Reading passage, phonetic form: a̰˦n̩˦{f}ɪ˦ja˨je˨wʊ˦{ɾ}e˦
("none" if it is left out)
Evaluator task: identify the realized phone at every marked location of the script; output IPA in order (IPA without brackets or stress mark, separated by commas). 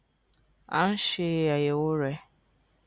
ʃ, ɾ